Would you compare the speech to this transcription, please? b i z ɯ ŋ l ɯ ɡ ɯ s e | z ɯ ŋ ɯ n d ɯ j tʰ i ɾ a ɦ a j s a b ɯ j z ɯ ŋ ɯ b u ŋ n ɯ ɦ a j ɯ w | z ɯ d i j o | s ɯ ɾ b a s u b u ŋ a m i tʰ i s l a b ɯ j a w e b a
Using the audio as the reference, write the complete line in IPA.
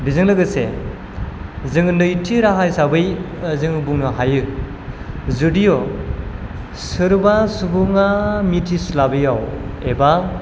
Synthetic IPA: b i z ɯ ŋ l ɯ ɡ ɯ s e | z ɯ ŋ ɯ n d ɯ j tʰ i ɾ a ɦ a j s a b ɯ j z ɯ ŋ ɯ b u ŋ n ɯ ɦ a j ɯ | z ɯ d i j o | s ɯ ɾ b a s u b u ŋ a m i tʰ i s l a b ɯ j a w e b a